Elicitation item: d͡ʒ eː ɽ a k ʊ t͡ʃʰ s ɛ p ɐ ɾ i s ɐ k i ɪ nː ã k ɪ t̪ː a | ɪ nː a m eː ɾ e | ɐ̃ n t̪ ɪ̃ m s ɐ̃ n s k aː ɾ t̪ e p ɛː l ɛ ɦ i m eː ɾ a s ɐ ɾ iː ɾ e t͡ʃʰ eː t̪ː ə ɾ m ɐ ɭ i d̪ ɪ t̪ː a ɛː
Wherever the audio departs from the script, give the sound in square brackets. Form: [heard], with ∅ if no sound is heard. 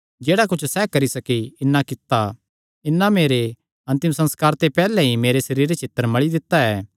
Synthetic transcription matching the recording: d͡ʒ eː ɽ a k ʊ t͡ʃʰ s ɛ [k] ɐ ɾ i s ɐ k i ɪ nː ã k ɪ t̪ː a | ɪ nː a m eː ɾ e | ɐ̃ n t̪ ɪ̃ m s ɐ̃ n s k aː ɾ t̪ e p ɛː l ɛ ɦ i m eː ɾ [e] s ɐ ɾ iː ɾ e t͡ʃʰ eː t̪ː ə ɾ m ɐ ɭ i d̪ ɪ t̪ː a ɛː